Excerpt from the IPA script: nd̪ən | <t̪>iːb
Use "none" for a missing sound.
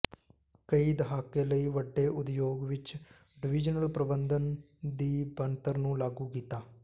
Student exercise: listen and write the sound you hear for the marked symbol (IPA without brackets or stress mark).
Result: d̪